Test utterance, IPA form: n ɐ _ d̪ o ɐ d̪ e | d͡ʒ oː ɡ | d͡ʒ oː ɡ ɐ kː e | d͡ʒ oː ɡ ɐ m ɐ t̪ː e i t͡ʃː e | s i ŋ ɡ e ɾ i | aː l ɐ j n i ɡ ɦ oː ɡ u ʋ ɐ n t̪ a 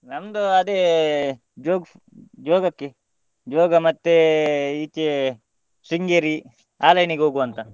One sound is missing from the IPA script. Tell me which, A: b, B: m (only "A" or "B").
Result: B